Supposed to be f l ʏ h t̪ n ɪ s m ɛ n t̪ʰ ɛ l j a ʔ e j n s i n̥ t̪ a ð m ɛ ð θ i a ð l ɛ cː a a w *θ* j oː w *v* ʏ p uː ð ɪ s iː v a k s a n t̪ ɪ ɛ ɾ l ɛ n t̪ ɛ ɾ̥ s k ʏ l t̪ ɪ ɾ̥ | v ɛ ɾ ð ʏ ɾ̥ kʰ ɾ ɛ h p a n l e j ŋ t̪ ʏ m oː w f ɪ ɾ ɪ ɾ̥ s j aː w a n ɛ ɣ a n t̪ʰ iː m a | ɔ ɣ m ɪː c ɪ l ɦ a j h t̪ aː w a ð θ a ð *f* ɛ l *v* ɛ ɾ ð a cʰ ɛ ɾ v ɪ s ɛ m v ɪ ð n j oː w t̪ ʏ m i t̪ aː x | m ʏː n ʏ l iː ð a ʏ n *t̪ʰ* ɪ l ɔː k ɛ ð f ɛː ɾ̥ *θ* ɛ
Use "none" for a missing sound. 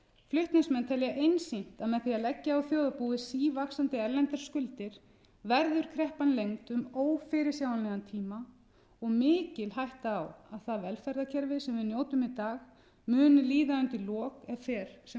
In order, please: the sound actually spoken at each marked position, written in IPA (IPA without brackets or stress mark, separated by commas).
θ, ð, v, f, t̪, s